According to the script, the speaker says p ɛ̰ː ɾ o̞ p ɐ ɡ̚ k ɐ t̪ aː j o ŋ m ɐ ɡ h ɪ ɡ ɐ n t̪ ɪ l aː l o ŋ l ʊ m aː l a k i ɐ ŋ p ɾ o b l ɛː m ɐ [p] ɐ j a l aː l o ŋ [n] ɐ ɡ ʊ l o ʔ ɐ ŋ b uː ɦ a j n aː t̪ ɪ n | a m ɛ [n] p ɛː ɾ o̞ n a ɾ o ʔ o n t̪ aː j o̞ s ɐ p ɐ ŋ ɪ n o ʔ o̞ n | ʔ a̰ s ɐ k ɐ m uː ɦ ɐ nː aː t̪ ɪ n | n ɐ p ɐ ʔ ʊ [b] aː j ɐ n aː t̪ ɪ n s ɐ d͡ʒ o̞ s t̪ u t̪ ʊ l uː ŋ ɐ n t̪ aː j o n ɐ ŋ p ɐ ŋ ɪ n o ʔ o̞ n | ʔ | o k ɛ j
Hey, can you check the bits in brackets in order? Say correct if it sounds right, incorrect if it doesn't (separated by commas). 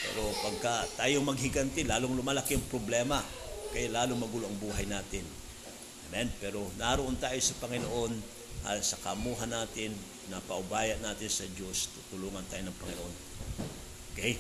incorrect, incorrect, correct, correct